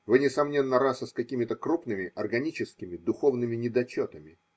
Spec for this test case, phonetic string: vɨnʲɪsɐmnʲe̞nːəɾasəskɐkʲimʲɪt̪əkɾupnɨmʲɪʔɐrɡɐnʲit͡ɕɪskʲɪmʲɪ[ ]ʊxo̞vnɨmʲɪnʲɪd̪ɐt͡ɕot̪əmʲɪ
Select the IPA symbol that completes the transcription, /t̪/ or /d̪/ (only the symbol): d̪